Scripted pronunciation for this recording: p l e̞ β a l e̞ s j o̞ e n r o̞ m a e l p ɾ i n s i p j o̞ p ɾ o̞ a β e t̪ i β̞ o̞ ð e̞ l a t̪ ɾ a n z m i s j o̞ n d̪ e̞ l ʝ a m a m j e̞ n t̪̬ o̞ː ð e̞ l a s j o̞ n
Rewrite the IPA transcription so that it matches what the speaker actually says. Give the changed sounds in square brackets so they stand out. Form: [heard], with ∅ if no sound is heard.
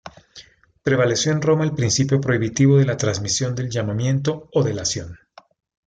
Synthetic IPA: p [ɾ] e̞ β a l e̞ s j o̞ e n r o̞ m a e l p ɾ i n s i p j o̞ p ɾ o̞ [i] β [i] t̪ i β̞ o̞ ð e̞ l a t̪ ɾ a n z m i s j o̞ n d̪ e̞ l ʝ a m a m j e̞ n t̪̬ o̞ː ð e̞ l a s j o̞ n